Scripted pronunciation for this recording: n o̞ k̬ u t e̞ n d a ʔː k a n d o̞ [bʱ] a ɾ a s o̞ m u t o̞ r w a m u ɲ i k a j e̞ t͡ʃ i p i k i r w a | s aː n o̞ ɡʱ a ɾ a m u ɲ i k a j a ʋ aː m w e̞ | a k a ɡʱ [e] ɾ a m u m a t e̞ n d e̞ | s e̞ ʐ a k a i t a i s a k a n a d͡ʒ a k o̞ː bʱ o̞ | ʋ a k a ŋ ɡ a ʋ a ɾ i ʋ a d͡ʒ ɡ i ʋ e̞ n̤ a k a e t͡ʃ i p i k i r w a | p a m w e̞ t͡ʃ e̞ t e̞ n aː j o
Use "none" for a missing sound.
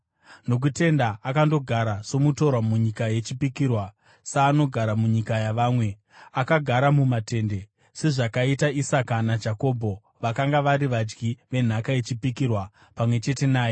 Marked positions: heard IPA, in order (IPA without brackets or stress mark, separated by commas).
ɡʱ, a